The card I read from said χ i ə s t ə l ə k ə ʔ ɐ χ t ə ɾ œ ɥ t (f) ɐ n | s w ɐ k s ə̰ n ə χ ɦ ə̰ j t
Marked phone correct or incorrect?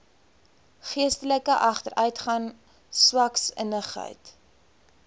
incorrect